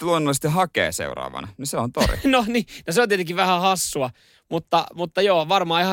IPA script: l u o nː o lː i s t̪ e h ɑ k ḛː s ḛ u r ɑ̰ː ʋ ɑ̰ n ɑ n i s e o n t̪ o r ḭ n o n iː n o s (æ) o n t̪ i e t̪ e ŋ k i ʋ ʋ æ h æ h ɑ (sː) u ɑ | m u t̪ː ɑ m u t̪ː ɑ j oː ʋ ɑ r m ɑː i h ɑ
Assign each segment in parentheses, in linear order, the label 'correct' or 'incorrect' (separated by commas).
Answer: incorrect, correct